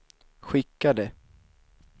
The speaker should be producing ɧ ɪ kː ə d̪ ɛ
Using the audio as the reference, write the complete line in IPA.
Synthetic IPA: ɧ ɪ kː a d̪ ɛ

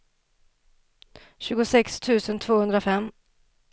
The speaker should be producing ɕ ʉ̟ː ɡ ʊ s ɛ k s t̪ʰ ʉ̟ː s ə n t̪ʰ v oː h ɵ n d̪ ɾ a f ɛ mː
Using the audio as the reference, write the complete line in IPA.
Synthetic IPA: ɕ ʉ̟ː ɡ ʊ s ɛ k s t̪ʰ ʉ̟ː s ə n t̪ʰ v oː h ɵ n d̪ ɾ a f ɛ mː

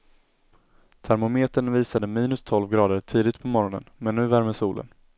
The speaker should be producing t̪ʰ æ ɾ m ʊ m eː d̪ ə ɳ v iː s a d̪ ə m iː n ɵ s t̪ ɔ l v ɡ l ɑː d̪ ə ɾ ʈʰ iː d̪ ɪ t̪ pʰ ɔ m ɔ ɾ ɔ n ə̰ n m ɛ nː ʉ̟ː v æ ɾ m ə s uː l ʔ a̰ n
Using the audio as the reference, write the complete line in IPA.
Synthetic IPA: t̪ʰ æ ɾ m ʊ m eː t̪ ə ɳ v iː s a d̪ ə m iː n ɵ s t̪ʰ ɔ l v ɡ ɾ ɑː d̪ ə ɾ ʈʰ iː d̪ ɪ t̪ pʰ ɔ m ɔ ɾ ɔ n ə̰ n m ɛ nː ʉ̟ː v æ ɾ m ə s uː l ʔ ə̰ n

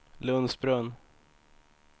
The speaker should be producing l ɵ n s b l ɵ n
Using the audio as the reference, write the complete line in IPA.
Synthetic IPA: l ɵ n s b ɾ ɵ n

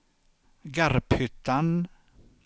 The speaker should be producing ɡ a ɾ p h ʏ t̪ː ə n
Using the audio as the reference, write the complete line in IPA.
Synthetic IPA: ɡ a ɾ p h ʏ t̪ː a n

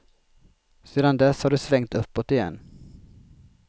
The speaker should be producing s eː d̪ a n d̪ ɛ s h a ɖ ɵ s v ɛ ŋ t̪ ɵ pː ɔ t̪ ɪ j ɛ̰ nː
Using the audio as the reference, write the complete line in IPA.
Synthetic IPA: s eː d̪ a n d̪ ɛ s h a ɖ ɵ s v ɛ ŋ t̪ ɵ pː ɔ t̪ ɪ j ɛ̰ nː

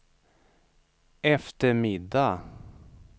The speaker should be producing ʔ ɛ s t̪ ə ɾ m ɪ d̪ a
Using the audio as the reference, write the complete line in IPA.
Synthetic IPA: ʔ ɛ f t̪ ə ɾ m ɪ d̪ a

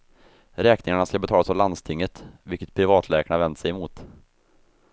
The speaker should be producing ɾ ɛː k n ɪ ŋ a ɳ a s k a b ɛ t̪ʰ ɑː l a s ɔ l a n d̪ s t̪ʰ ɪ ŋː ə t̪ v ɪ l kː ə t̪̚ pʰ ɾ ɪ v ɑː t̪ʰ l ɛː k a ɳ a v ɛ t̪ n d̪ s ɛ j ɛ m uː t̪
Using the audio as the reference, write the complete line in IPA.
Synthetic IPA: ɾ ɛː k n ɪ ŋ a ɳ a s k a b ɛ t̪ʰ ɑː l a s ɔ l a n d̪ s t̪ʰ ɪ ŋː ə t̪ v ɪ l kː ə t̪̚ pʰ ɾ ɪ v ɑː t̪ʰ l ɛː k a ɳ a v ɛ n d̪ s ɛ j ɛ m uː t̪

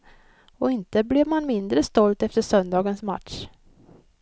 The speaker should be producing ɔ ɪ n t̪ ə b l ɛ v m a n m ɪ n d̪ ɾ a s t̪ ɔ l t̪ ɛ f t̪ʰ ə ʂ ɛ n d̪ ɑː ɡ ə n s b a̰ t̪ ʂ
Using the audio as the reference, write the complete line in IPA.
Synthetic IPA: ɔ ɪ n t̪ ə b l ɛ v m a n m ɪ n d̪ ɾ ə s t̪ ɔ l t̪ ɛ f t̪ ə ʂ œ n d̪ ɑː ɡ ə n s m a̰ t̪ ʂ

